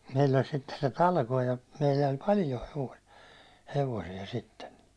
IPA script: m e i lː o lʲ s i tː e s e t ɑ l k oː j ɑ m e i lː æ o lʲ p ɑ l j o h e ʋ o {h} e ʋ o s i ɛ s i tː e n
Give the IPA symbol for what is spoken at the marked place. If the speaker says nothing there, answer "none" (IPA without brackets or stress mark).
h